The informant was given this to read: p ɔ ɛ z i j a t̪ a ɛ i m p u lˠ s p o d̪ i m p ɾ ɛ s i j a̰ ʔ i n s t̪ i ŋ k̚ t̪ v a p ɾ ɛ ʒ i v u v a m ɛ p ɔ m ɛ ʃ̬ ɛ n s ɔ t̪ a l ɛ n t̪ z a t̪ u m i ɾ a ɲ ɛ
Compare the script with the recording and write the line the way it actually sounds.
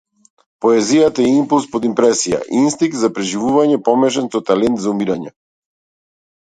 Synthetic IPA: p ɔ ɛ z i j a t̪ a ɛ i m p u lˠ s p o d̪ i m p ɾ ɛ s i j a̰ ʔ i n s t̪ i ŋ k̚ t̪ z a p ɾ ɛ ʒ i v u v a ɲ ɛ p ɔ m ɛ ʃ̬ ɛ n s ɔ t̪ a l ɛ n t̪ z a u m i ɾ a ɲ ɛ